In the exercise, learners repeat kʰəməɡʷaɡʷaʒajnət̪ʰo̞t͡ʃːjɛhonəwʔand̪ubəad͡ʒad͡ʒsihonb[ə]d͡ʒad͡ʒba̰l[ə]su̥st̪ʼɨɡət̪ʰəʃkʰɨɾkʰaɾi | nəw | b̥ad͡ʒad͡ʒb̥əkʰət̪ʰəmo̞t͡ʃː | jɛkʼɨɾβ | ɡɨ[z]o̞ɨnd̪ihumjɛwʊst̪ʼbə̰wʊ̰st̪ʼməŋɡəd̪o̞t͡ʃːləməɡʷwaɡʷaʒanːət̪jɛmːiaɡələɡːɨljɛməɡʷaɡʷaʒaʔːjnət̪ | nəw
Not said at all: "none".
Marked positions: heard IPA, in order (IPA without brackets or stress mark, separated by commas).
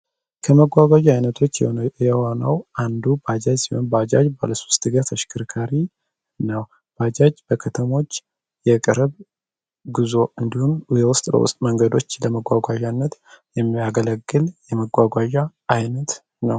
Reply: a, ə, z